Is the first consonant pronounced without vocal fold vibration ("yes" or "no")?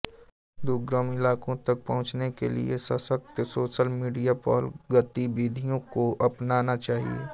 no